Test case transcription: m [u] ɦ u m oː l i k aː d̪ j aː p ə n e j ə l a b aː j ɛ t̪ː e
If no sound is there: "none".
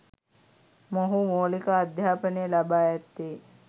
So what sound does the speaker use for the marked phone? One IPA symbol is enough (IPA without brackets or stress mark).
o